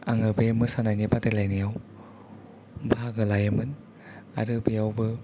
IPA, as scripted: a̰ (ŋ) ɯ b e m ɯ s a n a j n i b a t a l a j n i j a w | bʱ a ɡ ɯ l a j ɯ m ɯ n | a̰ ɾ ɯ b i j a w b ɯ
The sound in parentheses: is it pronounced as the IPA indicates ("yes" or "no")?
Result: yes